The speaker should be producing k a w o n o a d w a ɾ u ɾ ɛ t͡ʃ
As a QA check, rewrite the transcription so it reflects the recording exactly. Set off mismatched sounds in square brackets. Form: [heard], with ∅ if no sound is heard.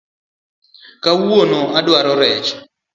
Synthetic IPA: k a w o n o a d w a ɾ [ɔ] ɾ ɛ t͡ʃ